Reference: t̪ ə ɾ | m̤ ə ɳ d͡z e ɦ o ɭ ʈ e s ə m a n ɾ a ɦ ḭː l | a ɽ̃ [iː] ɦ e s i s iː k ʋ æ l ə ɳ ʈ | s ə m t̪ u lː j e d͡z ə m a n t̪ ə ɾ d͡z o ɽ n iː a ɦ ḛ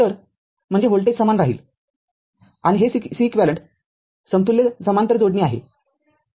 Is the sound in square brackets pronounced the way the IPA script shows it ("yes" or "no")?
no